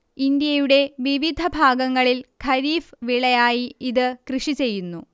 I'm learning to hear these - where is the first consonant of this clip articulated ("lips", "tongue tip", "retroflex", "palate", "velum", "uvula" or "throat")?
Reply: tongue tip